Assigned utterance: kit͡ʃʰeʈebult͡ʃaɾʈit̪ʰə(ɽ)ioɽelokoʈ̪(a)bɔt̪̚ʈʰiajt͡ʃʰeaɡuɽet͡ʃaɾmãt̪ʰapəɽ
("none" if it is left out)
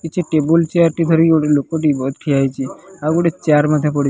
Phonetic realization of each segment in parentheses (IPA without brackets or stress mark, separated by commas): ɾ, i